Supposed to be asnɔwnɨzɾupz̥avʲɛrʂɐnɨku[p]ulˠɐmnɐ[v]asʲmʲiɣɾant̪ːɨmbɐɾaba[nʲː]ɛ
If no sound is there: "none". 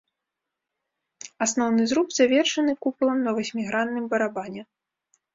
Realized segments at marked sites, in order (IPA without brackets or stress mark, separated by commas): p, v, nʲ